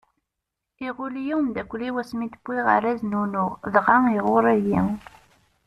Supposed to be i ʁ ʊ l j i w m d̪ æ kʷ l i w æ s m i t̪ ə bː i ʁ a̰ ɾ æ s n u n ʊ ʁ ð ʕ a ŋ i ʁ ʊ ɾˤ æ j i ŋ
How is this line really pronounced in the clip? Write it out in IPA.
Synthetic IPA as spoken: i ʁ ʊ l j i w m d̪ æ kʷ l i w æ s m i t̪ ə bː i ʁ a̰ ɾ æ z n u n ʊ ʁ ð ʁ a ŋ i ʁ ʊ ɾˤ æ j i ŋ